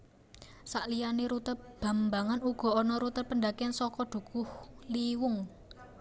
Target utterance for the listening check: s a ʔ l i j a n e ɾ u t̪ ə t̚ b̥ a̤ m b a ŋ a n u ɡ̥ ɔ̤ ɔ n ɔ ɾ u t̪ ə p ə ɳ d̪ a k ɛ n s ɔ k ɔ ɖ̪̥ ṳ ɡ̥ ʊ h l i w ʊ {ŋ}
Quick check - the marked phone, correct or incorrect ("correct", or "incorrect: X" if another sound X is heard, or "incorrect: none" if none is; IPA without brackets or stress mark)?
correct